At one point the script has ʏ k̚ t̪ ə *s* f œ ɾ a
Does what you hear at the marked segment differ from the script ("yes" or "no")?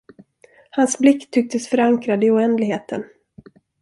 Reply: no